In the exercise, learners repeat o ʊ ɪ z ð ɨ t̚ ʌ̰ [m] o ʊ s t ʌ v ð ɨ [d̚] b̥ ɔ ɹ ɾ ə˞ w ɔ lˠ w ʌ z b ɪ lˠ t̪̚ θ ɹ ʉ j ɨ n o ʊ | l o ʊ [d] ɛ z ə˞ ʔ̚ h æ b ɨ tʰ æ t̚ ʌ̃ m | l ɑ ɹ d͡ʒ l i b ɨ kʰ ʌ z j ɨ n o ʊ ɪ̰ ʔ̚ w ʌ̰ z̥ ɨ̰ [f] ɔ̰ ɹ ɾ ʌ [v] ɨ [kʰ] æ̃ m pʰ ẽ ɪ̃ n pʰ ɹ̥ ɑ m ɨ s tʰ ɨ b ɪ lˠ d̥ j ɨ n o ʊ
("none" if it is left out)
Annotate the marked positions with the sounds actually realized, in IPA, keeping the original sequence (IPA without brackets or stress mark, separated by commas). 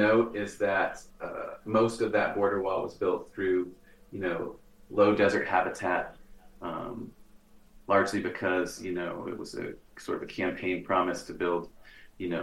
m, t̚, d, s, v, kʰ